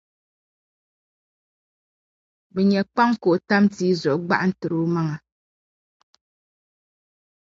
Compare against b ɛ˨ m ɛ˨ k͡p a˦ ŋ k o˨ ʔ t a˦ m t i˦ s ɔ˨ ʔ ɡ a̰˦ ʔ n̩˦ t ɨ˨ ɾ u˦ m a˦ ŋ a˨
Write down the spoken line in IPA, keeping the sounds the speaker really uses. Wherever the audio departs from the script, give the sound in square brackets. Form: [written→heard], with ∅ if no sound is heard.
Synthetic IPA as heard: b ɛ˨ [m→ɲ] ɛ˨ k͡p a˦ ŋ k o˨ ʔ t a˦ m t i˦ [s→z] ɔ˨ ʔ [ɡ→ɡ͡b] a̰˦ ʔ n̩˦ t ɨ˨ ɾ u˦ m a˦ ŋ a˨